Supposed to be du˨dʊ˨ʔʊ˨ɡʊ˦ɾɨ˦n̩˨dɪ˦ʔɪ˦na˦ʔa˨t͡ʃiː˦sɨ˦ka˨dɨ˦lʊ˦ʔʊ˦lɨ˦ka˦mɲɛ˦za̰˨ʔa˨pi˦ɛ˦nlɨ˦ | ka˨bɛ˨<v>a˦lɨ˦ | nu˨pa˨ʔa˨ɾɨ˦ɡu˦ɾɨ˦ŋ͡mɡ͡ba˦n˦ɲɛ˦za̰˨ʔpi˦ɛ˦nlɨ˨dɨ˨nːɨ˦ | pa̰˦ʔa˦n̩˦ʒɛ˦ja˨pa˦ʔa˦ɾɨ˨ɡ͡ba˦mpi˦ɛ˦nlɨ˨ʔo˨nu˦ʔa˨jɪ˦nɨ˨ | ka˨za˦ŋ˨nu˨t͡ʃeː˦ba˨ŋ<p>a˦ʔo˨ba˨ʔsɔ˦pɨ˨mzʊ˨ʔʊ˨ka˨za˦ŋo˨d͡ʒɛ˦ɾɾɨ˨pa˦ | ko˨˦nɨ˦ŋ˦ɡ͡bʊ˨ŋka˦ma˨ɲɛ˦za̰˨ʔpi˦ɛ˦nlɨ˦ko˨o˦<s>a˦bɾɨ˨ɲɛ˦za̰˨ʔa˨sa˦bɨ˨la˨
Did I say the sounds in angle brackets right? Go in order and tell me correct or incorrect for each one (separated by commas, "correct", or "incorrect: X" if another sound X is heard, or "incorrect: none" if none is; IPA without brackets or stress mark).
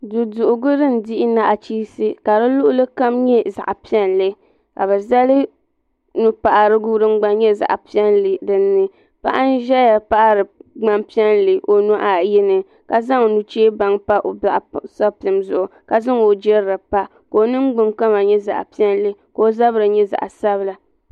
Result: incorrect: z, correct, incorrect: z